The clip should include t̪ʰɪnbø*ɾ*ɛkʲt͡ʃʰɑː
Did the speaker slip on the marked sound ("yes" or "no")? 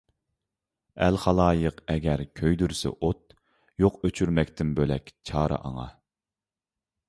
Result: yes